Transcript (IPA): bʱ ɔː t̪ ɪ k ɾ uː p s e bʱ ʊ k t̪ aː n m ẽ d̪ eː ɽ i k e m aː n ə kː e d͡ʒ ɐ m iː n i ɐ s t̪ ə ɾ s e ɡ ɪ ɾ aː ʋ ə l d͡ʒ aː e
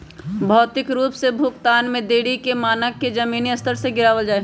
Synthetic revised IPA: bʱ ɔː t̪ ɪ k ɾ uː p s e bʱ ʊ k t̪ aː n m ẽ d̪ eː ɽ i k e m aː n ə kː e d͡ʒ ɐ m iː n i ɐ s t̪ ə ɾ s e ɡ ɪ ɾ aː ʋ ə l d͡ʒ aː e